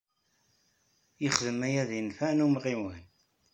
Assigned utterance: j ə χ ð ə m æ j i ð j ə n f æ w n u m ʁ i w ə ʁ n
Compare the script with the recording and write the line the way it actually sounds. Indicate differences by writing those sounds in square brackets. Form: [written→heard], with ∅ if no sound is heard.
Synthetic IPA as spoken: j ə χ ð ə m æ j [i→æ] ð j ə n f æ [w→∅] n u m ʁ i w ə [ʁ→∅] n